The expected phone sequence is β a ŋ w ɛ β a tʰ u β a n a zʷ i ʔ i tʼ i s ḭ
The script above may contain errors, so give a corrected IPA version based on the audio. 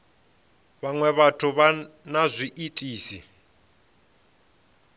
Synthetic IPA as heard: β a ŋ w ɛ β a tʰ u β a n a zʷ i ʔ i tʼ iː s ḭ